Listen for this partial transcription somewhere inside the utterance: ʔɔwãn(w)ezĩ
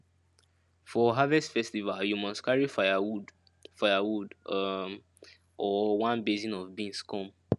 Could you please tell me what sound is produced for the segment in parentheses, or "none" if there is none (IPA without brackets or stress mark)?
b